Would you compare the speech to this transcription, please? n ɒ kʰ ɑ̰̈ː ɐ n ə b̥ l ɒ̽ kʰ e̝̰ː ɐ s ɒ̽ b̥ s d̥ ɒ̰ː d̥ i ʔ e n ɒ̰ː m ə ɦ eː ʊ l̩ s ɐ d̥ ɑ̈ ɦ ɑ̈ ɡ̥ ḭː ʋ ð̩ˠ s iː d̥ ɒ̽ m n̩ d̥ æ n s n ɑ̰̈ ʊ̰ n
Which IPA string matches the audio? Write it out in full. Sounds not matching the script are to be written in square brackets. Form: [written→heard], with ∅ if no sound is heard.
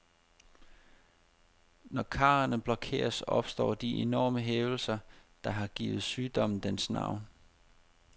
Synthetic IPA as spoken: n ɒ kʰ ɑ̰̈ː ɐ n ə b̥ l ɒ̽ kʰ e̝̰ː ɐ s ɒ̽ b̥ s d̥ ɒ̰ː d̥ i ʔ e n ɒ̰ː m ə ɦ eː ʊ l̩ s ɐ d̥ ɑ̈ ɦ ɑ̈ ɡ̥ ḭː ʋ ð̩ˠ s [iː→yː] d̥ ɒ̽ m n̩ d̥ [æ→e] n s n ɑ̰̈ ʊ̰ n